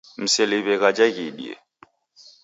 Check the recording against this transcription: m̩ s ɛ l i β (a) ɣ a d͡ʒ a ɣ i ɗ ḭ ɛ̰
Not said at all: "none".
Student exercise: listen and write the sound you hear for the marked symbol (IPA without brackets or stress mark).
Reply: ɛ